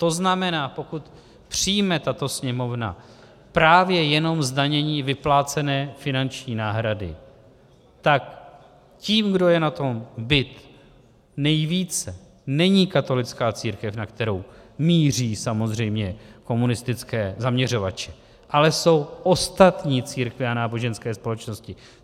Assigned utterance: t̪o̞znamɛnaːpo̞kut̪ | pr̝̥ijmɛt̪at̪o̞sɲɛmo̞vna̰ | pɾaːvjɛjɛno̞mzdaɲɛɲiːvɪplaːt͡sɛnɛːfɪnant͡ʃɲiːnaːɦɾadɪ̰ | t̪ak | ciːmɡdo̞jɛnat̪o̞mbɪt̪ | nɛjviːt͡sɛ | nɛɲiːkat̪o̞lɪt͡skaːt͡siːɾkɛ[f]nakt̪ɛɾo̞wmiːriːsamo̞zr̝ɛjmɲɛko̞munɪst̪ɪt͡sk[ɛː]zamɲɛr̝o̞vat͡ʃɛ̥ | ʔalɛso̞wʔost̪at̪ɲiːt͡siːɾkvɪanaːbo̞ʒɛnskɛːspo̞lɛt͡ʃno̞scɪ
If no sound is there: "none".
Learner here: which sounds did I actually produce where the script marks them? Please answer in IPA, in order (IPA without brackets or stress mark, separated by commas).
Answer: f, ɛː